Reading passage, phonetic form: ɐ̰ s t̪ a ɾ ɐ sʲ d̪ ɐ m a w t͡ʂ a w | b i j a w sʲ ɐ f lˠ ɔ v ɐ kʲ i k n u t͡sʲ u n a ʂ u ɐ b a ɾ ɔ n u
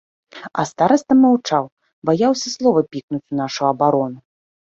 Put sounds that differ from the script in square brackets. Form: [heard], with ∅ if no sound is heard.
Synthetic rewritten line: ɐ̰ s t̪ a ɾ ɐ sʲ [t̪] ɐ m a w t͡ʂ a w | b [a] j a w sʲ ɐ [s] lˠ ɔ v ɐ [pʲ] i k n u t͡sʲ u n a ʂ u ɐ b a ɾ ɔ n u